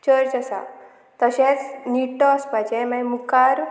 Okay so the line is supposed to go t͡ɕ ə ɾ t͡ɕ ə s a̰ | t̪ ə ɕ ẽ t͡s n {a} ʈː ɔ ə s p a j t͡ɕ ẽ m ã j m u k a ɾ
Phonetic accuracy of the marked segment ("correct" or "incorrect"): incorrect